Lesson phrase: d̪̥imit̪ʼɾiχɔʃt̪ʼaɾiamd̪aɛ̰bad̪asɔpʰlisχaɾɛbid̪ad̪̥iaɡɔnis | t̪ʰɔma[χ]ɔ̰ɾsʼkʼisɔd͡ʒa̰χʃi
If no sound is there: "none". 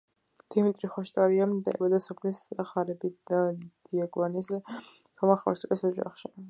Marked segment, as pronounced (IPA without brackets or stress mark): χ